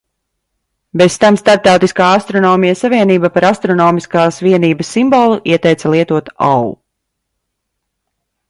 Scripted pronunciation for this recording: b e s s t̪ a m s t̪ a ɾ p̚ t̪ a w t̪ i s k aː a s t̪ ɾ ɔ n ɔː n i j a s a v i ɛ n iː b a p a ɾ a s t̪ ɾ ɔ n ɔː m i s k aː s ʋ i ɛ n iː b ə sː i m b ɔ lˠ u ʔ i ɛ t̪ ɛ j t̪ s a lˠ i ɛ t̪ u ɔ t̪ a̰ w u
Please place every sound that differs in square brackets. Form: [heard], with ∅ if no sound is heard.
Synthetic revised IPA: b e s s t̪ a m s t̪ a ɾ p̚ t̪ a w t̪ i s k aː a s t̪ ɾ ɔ n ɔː [m] i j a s a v i ɛ n iː b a p a ɾ a s t̪ ɾ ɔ n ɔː m i s k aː s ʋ i ɛ n iː b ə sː i m b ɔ lˠ u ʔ i ɛ t̪ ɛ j t̪ s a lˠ i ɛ t̪ u ɔ t̪ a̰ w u